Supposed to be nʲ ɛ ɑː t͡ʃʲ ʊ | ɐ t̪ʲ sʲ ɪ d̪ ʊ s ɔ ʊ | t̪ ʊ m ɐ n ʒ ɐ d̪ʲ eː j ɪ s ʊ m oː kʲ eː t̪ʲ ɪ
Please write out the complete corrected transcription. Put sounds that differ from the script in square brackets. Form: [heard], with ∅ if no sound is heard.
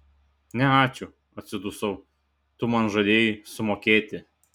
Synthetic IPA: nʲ ɛ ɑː t͡ʃʲ ʊ | ɐ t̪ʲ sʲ ɪ d̪ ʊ s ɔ ʊ | t̪ ʊ m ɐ n ʒ ɐ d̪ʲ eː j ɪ s ʊ m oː kʲ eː t̪ʲ ɪ